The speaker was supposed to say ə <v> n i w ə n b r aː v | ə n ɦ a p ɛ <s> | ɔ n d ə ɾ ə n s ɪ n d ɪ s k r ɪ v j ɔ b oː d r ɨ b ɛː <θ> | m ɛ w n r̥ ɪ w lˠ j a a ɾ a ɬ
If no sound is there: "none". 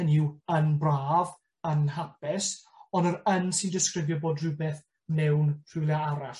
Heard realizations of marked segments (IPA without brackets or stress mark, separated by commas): none, s, θ